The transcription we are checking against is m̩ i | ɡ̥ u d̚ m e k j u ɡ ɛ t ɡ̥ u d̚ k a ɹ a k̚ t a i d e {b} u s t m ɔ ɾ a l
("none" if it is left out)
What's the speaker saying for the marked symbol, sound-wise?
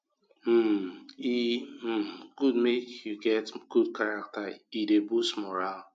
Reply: b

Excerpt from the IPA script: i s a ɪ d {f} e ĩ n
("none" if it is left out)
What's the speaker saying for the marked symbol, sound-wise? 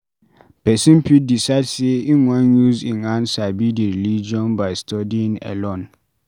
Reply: s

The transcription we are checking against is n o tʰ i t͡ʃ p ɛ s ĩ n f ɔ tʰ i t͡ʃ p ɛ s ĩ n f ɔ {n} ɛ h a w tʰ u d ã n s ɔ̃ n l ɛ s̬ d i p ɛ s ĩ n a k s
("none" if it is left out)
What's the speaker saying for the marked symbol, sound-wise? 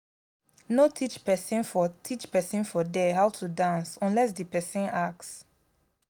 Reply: d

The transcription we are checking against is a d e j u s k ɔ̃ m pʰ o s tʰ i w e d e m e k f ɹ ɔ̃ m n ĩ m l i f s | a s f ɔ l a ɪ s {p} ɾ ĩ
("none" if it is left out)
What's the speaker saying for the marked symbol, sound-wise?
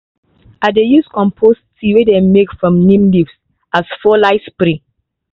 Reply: p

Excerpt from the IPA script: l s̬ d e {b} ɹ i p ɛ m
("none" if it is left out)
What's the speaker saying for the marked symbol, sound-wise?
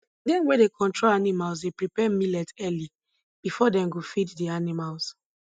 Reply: p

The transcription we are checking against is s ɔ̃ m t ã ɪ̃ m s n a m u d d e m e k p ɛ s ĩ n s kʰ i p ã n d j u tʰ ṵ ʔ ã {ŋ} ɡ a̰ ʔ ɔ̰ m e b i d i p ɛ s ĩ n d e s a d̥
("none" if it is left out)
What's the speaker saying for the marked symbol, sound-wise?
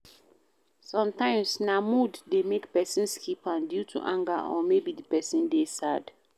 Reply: ŋ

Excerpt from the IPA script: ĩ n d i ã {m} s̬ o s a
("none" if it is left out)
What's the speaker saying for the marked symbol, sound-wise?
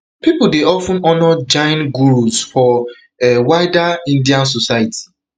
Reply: n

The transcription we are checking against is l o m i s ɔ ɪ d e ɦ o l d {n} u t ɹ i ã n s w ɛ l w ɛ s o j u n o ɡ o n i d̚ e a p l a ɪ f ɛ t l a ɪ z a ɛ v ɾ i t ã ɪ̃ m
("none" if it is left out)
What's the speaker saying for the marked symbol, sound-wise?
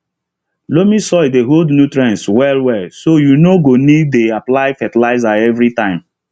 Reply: n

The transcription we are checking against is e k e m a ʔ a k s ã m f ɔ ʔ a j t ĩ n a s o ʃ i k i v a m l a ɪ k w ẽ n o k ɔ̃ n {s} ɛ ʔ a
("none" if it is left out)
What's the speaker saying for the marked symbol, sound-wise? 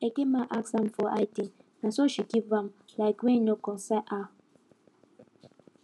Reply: s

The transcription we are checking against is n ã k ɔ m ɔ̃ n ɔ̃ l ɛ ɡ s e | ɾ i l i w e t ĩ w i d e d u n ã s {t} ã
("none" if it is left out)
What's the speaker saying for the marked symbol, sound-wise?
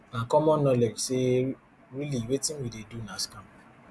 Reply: k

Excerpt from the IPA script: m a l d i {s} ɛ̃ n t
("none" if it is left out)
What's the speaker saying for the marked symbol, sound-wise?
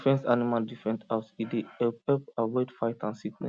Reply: f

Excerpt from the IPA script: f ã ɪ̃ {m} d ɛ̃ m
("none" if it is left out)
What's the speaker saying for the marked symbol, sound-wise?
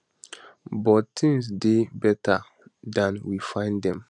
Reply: n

